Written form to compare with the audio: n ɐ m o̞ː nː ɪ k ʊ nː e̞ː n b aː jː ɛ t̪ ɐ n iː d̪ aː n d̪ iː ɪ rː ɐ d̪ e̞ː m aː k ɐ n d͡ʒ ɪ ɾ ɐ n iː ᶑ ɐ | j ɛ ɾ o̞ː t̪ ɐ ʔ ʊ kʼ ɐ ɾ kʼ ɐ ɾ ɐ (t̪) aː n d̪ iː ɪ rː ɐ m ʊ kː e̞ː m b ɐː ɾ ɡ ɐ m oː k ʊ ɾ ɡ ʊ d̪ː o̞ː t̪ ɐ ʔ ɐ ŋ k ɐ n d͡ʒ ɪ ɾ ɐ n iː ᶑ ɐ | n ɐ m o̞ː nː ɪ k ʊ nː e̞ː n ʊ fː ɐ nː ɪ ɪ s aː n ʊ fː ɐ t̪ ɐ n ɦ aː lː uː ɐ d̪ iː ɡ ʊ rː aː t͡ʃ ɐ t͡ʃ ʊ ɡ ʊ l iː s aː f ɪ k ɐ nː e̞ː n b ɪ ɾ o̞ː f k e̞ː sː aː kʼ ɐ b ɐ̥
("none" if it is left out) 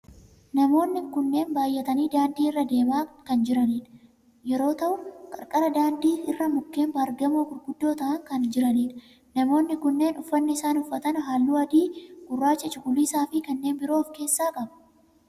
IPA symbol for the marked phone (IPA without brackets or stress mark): d̪